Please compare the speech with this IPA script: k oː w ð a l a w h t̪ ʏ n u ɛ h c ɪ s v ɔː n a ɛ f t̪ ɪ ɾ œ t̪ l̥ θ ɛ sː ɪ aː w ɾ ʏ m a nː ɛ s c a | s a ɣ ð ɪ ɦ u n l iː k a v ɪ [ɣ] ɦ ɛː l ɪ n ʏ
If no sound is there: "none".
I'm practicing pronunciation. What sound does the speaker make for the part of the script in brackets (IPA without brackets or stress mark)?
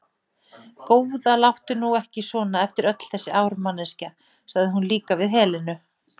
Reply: ð